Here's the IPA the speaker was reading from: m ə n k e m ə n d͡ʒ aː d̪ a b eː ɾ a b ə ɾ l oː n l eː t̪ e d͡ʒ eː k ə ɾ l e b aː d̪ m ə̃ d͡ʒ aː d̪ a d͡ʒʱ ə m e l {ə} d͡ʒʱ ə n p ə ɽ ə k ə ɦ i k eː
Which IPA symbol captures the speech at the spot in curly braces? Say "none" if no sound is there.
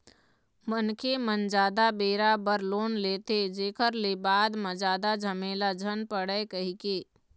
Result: a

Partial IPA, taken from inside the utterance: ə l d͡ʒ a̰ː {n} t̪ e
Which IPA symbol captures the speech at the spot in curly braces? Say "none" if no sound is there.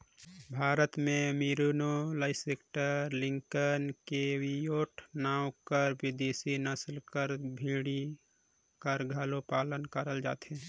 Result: none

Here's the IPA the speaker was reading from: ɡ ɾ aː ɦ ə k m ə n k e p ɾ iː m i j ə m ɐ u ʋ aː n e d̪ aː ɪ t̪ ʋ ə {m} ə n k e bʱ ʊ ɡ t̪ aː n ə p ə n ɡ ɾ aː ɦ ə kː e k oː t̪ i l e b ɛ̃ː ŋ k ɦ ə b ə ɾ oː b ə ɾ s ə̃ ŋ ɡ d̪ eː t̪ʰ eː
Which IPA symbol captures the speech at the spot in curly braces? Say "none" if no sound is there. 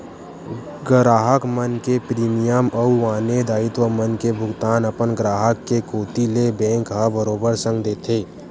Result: m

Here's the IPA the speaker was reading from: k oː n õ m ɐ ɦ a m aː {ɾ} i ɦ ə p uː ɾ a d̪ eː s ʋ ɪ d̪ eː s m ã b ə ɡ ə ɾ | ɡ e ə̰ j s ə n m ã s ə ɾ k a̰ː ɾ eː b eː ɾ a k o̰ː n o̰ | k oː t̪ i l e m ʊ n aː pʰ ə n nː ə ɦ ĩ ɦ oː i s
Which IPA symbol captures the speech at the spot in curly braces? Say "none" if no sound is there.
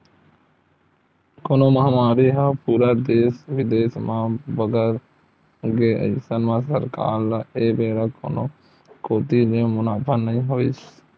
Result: ɾ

